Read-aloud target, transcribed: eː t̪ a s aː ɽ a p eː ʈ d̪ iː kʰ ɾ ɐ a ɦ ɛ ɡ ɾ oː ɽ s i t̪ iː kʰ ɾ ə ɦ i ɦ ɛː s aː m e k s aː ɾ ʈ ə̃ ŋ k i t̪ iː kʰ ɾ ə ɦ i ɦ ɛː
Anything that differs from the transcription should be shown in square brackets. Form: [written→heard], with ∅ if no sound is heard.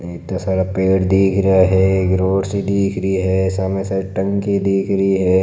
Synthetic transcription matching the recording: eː t̪ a s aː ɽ a p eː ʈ d̪ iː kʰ ɾ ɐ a ɦ ɛ ɡ ɾ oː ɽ s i [t̪→d̪] iː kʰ ɾ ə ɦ i ɦ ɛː s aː m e [k→∅] s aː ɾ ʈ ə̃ ŋ k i [t̪→d̪] iː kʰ ɾ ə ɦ i ɦ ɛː